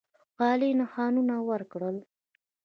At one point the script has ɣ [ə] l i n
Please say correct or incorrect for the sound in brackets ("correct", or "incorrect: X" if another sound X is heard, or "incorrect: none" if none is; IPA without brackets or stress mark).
incorrect: ɑ